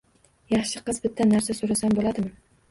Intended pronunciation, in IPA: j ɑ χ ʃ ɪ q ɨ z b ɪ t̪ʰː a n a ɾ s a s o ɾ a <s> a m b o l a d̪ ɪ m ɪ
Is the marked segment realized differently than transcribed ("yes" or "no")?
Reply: no